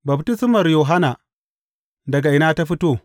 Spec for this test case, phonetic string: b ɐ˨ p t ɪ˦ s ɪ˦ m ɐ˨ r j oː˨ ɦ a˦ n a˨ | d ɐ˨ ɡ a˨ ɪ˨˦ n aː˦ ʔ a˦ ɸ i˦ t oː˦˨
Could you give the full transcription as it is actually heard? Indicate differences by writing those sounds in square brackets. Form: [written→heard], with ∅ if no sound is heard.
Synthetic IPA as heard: b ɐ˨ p t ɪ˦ s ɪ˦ m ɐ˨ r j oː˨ ɦ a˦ n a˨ | d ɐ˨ ɡ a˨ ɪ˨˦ n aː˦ [ʔ→t] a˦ ɸ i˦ t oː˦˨